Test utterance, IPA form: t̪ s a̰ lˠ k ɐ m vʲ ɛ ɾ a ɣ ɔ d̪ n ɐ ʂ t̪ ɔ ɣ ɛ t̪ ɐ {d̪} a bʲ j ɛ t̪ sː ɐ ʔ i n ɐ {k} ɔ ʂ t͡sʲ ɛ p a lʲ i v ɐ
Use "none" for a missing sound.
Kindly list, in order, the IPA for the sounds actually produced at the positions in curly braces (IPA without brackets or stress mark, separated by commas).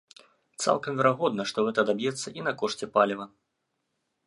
d̪, k